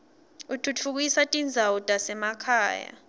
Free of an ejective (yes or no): no